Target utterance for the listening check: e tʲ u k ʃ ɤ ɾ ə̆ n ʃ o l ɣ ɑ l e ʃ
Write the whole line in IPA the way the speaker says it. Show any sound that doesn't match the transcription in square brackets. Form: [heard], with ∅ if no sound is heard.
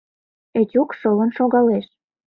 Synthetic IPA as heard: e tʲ u k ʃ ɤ [l] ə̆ n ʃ o [∅] ɣ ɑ l e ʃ